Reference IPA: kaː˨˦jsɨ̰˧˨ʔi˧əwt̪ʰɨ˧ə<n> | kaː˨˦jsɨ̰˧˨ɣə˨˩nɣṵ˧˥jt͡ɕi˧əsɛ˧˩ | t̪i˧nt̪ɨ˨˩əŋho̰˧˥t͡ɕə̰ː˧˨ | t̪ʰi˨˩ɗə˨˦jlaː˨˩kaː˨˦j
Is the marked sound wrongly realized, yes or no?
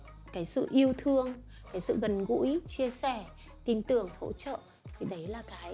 yes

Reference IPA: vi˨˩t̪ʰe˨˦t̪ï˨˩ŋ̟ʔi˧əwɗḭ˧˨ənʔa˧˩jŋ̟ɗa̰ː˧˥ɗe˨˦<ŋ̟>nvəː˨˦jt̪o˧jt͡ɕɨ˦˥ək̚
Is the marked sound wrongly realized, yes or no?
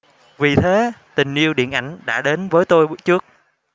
yes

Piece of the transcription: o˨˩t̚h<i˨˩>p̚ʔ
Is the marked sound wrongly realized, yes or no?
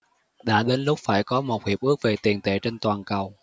no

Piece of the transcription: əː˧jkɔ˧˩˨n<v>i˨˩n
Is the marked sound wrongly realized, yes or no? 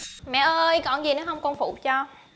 yes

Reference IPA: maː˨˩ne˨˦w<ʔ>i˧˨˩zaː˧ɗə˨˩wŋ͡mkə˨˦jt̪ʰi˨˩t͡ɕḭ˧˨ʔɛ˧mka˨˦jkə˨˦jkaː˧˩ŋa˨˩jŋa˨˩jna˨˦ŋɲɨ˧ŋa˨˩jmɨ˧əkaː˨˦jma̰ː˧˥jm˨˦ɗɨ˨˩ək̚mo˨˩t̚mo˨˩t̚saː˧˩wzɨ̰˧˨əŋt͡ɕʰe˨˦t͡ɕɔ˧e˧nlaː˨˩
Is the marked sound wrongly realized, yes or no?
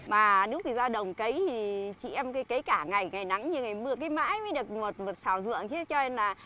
yes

